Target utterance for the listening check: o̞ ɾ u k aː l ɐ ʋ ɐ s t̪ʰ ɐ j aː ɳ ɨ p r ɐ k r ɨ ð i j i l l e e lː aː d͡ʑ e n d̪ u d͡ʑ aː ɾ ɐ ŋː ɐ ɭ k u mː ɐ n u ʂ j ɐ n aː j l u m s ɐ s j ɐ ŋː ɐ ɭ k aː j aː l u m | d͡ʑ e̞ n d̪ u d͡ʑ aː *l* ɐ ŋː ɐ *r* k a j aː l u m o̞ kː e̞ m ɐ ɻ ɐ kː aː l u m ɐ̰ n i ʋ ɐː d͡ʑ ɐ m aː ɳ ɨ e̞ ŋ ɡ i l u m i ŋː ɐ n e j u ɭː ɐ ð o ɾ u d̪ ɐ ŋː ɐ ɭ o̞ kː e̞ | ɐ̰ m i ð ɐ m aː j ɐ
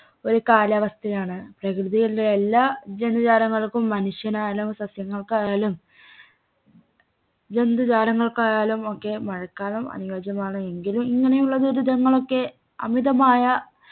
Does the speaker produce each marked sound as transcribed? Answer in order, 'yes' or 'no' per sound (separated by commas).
no, no